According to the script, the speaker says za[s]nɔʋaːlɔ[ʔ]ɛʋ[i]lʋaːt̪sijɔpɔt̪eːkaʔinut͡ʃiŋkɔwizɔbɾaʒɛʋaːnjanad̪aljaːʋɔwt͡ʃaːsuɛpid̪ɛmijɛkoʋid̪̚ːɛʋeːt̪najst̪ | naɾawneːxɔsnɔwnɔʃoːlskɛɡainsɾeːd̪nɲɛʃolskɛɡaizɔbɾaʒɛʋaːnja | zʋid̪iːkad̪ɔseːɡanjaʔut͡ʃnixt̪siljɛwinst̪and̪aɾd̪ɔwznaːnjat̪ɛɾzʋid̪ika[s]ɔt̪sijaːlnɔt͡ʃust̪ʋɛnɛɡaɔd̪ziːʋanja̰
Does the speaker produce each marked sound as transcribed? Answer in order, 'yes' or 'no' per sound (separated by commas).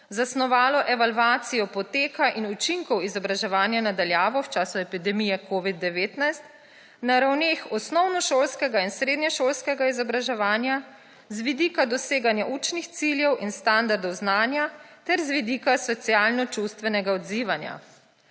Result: yes, yes, no, yes